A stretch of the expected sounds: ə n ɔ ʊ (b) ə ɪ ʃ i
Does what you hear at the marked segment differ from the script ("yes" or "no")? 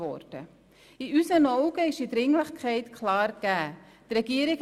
yes